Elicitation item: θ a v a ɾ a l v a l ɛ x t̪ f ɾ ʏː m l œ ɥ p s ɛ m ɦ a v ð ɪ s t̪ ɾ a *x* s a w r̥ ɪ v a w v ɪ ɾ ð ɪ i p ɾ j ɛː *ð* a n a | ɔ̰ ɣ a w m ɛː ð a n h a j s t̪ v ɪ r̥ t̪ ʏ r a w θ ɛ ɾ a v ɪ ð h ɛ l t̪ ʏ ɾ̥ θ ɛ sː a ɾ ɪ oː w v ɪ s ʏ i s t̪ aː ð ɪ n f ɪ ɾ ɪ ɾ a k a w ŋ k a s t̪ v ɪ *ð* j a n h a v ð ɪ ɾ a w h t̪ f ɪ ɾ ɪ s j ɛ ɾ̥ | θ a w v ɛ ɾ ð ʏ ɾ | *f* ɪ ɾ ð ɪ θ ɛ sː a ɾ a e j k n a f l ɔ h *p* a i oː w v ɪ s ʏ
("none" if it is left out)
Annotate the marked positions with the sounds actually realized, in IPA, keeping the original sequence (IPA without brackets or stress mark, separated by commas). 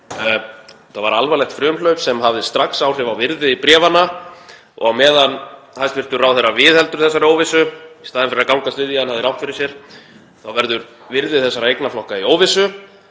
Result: k, v, ð, v, k